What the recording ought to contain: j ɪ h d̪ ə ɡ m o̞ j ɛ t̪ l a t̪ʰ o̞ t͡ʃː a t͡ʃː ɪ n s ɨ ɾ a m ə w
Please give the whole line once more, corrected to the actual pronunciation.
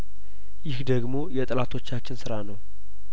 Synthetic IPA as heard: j ɪ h d̪ ə ɡ m o̞ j ɛ t̪ʼ l a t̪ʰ o̞ t͡ʃː a t͡ʃː ɪ n s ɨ ɾ a n ə w